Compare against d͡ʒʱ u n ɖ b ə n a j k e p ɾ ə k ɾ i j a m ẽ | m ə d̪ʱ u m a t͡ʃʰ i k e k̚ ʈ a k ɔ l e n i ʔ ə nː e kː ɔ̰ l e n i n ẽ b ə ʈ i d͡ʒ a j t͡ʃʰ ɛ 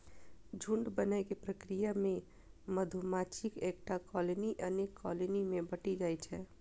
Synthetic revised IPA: d͡ʒʱ u ɳ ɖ b ə n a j k e p ɾ ə k ɾ i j a m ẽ | m ə d̪ʱ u m a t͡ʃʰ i k e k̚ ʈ a k ɔ l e n i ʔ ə n e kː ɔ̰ l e n i m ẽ b ə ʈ i d͡ʒ a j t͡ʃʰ ɛ